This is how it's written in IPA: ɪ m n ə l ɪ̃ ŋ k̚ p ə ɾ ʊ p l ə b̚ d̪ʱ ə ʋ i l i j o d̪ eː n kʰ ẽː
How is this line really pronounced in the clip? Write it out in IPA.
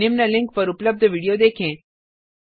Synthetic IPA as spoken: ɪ m n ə l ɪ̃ ŋ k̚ p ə ɾ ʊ p l ə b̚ d̪ʱ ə ʋ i ɽ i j o d̪ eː kʰ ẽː